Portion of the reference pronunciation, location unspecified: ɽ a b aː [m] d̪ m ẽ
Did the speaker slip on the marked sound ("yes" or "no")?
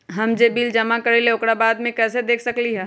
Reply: yes